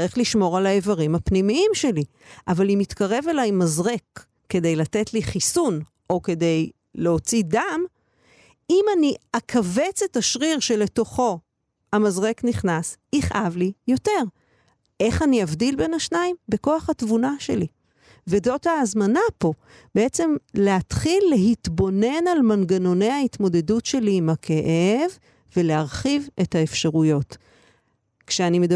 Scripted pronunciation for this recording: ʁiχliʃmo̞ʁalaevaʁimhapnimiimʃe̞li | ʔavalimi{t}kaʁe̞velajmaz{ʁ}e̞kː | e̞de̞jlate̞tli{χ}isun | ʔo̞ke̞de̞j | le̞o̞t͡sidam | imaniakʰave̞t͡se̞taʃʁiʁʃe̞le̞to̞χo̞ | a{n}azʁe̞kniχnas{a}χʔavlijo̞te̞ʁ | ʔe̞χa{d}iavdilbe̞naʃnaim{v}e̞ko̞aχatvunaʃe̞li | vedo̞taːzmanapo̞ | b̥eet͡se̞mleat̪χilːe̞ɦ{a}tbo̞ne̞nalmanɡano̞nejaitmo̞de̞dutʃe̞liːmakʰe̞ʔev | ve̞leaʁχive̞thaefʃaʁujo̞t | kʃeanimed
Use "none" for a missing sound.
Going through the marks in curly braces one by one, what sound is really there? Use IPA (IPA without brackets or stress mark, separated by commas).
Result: t, ʁ, χ, m, i, n, b, i